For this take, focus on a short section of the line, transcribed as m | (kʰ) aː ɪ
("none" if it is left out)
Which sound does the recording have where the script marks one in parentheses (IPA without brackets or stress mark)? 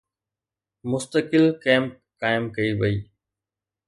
k